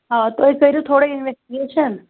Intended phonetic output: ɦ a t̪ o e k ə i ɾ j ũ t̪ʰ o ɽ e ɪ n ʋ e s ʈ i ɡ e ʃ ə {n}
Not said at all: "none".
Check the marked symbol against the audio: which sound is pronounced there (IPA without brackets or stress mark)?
n